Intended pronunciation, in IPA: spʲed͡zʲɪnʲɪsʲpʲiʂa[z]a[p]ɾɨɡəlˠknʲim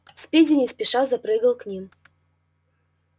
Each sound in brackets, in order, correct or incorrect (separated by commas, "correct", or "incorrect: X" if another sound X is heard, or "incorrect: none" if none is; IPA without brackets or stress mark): correct, correct